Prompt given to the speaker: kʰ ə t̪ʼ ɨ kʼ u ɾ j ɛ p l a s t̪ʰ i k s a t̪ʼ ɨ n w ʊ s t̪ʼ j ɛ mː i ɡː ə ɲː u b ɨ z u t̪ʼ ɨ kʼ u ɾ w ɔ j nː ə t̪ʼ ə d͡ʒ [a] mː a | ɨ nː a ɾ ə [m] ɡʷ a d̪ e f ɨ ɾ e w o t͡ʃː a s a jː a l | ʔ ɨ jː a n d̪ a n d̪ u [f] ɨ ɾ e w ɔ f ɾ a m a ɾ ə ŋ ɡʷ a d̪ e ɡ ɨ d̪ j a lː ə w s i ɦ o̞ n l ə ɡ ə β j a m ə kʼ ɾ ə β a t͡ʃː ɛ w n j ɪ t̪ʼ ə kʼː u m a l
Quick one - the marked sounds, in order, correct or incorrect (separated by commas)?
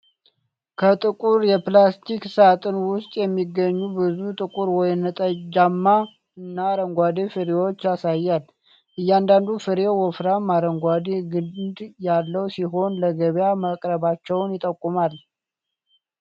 correct, incorrect, correct